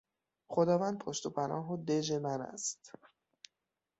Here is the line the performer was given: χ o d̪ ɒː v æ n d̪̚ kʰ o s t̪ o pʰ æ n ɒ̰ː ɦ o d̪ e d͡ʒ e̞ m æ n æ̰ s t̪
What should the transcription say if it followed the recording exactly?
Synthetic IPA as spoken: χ o d̪ ɒː v æ n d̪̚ pʰ o ʃ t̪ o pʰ æ n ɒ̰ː ɦ o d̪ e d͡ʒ e̞ m æ n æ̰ s t̪